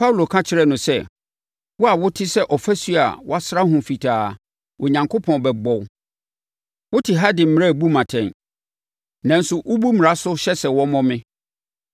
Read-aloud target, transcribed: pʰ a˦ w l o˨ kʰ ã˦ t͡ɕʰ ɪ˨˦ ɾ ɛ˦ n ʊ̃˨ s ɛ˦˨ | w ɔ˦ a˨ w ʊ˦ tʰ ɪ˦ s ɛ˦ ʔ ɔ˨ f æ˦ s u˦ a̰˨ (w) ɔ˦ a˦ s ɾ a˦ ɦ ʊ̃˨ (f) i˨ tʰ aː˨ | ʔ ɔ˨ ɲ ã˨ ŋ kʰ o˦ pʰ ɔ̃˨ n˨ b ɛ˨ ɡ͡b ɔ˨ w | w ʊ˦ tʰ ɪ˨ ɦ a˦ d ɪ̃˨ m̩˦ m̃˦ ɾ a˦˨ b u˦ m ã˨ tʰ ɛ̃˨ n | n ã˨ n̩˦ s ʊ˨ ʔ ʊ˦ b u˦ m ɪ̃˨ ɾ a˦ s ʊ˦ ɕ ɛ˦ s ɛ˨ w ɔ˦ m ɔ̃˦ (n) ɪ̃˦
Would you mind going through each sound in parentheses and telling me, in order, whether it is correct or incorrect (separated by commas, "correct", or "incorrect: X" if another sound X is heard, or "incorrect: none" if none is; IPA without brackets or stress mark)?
correct, correct, incorrect: m